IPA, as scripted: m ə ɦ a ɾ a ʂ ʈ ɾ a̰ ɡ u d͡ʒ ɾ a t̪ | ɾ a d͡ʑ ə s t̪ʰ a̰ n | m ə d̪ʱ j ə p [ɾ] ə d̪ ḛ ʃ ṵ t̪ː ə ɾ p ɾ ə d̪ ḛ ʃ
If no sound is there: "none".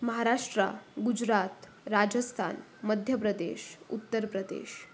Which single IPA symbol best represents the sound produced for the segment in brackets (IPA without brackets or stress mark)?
ɾ